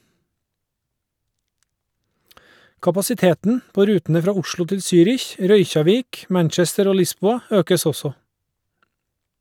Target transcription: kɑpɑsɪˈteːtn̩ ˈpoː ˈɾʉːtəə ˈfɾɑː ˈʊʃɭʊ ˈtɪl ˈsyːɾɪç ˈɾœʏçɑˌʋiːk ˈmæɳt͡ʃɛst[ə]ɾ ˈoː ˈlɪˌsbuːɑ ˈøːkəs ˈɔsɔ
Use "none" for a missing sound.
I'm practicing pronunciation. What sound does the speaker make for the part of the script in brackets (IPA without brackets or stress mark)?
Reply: ə